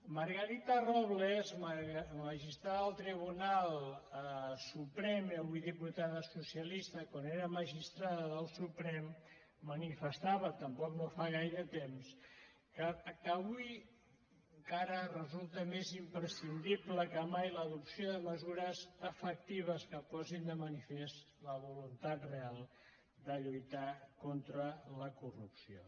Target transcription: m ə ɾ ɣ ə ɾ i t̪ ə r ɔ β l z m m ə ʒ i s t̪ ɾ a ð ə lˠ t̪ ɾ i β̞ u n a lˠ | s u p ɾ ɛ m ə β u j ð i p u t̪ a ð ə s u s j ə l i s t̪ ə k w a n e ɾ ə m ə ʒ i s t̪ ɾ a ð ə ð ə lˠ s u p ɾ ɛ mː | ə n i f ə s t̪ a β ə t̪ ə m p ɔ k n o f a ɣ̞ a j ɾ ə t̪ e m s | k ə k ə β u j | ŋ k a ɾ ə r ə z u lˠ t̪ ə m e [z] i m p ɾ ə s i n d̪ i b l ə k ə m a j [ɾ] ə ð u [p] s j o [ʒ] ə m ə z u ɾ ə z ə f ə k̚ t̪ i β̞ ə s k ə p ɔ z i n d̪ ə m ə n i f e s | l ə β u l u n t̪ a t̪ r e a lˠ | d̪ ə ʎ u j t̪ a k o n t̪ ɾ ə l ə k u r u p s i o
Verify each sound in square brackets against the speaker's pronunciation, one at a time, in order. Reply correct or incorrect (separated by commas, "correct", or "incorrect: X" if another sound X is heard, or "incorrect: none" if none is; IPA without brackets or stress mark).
correct, incorrect: l, correct, incorrect: ð